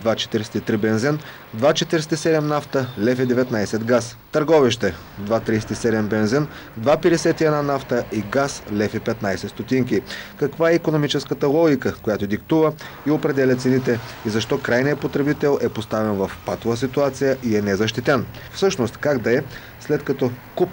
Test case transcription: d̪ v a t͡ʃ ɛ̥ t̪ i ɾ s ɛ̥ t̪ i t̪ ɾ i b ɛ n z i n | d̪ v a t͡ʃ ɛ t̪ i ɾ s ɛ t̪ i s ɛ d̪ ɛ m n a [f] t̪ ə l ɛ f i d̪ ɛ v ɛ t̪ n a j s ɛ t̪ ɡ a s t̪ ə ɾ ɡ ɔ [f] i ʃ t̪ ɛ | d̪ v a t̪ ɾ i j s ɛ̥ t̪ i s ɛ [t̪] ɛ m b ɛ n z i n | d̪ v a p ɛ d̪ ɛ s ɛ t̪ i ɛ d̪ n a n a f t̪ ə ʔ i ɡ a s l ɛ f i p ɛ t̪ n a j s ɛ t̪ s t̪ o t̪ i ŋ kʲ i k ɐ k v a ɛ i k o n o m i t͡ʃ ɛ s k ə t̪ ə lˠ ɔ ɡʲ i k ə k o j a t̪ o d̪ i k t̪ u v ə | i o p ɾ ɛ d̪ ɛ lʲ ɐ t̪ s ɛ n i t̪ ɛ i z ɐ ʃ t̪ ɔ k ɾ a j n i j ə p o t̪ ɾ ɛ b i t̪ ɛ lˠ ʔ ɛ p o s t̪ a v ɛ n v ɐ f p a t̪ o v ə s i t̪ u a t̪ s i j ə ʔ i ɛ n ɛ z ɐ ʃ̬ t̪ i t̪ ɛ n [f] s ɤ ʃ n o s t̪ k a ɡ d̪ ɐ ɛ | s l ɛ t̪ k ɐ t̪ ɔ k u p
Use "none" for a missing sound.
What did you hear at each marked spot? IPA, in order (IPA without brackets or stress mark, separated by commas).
f, v, d̪, f